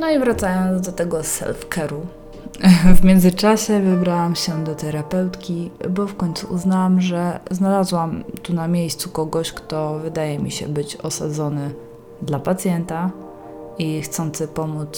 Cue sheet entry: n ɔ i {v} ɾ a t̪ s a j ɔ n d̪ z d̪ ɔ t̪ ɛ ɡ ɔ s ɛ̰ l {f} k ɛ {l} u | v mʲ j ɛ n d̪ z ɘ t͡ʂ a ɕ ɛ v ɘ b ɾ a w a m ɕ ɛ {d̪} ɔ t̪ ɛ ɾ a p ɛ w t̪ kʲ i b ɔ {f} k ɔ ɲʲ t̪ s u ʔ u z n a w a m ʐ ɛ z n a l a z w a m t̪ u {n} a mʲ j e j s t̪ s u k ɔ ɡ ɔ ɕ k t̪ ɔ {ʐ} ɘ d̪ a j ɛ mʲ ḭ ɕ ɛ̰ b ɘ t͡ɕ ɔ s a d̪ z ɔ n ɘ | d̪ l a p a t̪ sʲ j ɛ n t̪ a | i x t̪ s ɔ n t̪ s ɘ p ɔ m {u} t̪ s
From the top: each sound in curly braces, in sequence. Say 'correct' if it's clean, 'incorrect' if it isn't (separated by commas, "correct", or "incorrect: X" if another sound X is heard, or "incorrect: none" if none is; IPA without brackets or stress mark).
correct, correct, incorrect: ɾ, correct, correct, correct, incorrect: v, correct